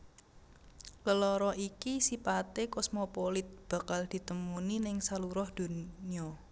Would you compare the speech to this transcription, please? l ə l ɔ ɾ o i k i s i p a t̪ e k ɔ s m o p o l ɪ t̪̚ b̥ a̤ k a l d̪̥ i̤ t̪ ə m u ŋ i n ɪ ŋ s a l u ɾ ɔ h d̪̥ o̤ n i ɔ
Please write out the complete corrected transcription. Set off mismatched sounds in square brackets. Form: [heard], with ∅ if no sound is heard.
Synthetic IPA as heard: l ə l ɔ ɾ [ɔ] i k i s i p a t̪ e k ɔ s m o p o l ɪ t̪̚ b̥ a̤ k a l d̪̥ i̤ t̪ ə m u [n] i n ɪ ŋ s a l u ɾ ɔ h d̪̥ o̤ n i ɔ